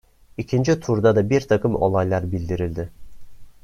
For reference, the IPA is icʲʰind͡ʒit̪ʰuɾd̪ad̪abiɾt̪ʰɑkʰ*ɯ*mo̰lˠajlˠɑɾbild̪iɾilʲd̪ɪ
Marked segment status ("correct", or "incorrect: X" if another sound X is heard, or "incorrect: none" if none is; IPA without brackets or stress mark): correct